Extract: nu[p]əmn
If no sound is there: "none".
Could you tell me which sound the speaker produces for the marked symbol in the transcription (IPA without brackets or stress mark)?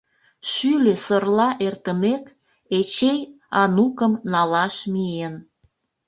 k